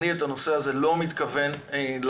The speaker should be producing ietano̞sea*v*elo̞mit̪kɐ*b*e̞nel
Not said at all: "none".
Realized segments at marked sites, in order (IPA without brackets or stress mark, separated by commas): z, v